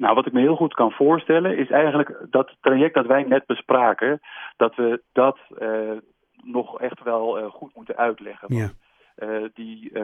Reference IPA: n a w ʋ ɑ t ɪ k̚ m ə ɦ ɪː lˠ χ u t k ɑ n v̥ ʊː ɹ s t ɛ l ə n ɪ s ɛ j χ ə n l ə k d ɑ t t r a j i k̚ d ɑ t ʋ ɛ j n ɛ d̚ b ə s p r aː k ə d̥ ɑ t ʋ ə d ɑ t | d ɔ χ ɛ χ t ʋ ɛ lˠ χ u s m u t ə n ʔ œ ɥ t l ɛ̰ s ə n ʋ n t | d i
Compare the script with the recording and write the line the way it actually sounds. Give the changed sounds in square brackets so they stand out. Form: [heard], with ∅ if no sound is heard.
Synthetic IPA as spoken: n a w ʋ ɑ t ɪ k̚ m ə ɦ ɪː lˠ χ u t k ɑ n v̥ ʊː ɹ s t ɛ l ə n ɪ s ɛ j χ ə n l ə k d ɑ t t r a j [ɛ] k̚ d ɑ t ʋ ɛ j n ɛ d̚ b ə s p r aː k ə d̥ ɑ t ʋ ə d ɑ t | [n] ɔ χ ɛ χ t ʋ ɛ lˠ χ u [t] m u t ə n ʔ œ ɥ t l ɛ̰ [χ] ə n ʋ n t | d i